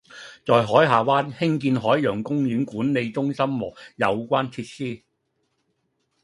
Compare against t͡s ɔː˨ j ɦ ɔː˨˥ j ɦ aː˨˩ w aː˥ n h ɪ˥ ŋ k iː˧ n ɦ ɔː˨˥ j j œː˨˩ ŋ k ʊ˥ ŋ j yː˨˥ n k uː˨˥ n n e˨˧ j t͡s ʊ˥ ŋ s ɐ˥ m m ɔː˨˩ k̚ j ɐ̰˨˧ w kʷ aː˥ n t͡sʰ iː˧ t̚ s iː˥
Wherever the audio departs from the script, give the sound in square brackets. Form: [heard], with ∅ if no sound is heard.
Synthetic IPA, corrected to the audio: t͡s ɔː˨ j ɦ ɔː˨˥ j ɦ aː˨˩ w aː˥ n h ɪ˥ ŋ k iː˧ n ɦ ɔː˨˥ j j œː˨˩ ŋ k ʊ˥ ŋ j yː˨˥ n k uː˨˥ n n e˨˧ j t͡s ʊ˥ ŋ s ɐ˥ m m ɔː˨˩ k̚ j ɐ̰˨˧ w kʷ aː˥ n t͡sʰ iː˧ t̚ s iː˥